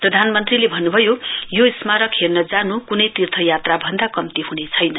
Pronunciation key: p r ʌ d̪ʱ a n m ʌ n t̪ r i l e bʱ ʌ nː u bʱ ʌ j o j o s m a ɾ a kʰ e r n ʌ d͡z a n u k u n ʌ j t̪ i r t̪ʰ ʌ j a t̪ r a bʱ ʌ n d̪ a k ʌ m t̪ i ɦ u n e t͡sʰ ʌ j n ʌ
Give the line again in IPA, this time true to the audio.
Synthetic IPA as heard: p r ʌ d̪ʱ a n m ʌ n t̪ r i l e bʱ ʌ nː u bʱ ʌ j o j o s m a ɾ ʌ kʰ e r n ʌ d͡z a n u k u n ʌ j t̪ i r t̪ʰ ʌ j a t̪ r a bʱ ʌ n d̪ a k ʌ m t̪ i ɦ u n e t͡sʰ ʌ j n ʌ